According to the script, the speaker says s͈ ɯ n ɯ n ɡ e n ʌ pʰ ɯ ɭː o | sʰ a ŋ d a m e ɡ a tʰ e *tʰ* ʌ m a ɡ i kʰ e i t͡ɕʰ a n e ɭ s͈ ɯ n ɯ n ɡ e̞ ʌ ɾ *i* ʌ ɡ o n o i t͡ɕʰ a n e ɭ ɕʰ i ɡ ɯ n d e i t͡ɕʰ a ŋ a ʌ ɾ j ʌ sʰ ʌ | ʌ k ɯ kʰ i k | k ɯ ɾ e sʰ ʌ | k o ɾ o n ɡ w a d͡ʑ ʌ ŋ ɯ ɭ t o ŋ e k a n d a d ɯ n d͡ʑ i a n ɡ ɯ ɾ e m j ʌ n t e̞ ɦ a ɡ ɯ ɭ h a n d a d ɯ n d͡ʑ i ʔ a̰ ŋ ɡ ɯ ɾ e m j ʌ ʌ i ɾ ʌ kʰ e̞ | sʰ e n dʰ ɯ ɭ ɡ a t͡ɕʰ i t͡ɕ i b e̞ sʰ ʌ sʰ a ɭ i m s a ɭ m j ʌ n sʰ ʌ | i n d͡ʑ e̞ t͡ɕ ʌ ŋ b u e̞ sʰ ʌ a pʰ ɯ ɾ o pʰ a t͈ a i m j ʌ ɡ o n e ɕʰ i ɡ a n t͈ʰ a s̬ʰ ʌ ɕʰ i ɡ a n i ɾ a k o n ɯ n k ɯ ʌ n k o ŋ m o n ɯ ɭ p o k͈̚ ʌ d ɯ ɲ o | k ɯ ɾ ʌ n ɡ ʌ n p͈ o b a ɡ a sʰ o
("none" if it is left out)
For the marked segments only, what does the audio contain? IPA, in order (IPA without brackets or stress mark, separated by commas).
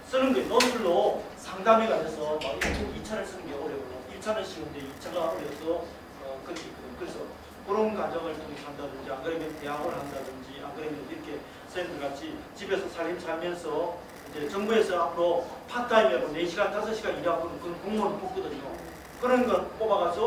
sʰ, j